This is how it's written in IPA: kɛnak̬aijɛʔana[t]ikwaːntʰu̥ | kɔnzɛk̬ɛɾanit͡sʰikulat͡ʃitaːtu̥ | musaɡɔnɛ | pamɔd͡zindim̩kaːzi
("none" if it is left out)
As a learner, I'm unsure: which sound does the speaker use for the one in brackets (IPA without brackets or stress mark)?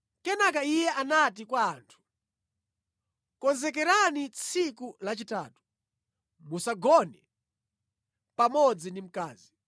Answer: t